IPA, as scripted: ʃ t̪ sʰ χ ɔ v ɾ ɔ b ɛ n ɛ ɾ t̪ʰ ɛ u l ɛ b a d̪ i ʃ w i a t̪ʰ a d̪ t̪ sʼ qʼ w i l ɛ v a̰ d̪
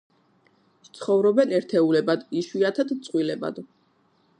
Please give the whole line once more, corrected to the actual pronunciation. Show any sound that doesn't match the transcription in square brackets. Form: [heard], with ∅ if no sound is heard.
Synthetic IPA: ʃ t̪ sʰ χ ɔ v ɾ ɔ b ɛ n ɛ ɾ t̪ʰ ɛ u l ɛ b a d̪ i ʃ w i a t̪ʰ a d̪ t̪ sʼ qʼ w i l ɛ [b] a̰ d̪